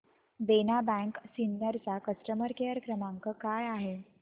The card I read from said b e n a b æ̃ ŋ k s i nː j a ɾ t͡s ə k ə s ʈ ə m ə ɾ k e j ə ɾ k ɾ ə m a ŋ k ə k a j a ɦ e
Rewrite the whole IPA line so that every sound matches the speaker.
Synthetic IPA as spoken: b e n a b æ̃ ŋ k s i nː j ə ɾ t͡s a k ə s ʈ ə m ə ɾ k e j ə ɾ k ɾ ə m a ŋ k ə k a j a ɦ e